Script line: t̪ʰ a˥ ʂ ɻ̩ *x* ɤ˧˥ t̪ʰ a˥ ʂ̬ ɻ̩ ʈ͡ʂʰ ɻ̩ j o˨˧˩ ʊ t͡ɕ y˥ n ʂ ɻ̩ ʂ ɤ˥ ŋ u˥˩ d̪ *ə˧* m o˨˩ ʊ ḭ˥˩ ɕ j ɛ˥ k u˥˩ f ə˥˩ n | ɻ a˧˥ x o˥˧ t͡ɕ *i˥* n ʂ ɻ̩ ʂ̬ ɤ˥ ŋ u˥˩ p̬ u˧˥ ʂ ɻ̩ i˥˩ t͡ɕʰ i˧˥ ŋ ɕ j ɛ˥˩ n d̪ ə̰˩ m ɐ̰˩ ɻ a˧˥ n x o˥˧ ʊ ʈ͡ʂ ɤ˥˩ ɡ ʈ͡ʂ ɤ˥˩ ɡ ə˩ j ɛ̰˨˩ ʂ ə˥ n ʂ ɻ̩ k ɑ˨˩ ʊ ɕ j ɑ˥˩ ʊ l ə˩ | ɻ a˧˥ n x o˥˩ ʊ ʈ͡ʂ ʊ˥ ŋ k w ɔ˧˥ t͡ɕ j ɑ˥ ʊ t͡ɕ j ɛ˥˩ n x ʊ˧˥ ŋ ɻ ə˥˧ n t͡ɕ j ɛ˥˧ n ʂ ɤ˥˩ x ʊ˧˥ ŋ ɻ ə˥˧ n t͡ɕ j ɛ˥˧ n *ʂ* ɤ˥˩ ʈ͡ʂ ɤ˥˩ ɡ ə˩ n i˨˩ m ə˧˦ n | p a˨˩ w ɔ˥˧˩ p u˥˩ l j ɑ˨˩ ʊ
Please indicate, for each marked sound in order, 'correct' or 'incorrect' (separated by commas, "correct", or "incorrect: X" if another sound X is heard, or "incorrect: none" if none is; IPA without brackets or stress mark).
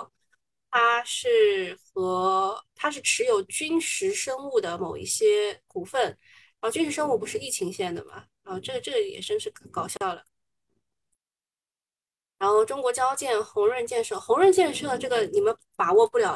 correct, incorrect: ə˩, incorrect: y˥, correct